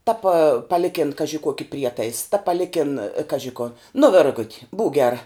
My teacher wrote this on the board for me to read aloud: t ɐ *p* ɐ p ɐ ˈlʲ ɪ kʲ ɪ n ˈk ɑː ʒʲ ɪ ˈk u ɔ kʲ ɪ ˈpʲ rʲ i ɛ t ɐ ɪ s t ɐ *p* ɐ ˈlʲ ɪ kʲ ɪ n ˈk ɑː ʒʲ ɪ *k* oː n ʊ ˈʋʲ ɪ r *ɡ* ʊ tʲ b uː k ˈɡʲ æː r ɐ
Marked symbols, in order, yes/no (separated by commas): yes, yes, yes, yes